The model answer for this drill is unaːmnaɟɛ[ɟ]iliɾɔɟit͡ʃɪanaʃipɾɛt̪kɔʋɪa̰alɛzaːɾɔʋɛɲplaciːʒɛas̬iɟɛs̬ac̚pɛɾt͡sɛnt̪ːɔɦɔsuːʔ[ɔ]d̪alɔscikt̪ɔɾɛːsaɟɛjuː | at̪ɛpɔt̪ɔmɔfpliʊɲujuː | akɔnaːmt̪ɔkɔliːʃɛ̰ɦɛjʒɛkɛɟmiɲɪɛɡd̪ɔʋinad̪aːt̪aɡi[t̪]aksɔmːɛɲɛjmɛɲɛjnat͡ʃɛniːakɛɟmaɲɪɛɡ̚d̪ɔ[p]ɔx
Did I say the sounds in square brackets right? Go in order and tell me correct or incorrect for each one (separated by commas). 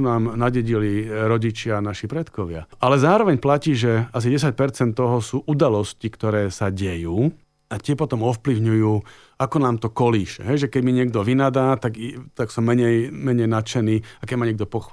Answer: correct, incorrect, correct, correct